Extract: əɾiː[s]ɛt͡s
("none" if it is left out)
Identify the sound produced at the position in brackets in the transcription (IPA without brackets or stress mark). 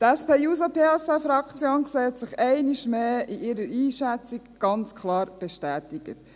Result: ʃ